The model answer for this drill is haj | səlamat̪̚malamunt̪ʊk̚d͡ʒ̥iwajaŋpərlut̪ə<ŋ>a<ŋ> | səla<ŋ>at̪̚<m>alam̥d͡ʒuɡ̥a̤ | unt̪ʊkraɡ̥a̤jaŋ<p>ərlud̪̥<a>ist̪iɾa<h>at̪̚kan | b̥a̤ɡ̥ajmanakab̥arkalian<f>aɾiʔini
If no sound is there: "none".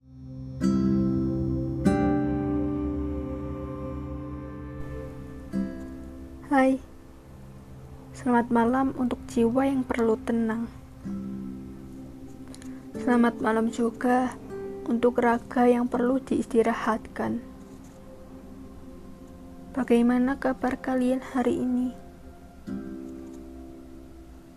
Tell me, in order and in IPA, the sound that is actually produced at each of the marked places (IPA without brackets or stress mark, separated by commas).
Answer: n, ŋ, m, m, p, i, h, h